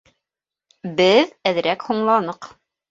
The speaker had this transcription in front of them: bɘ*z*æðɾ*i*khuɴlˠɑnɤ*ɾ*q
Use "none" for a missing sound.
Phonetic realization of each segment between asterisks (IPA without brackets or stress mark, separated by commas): ð, æ, none